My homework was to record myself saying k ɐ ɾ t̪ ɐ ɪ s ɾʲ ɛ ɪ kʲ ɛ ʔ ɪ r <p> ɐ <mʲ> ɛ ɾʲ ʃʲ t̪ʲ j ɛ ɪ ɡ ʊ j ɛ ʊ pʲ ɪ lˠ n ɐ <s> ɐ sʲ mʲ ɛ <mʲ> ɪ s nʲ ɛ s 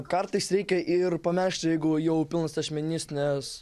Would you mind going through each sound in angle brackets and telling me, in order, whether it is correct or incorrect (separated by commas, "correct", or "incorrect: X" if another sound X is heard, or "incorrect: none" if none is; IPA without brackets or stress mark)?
correct, correct, correct, incorrect: nʲ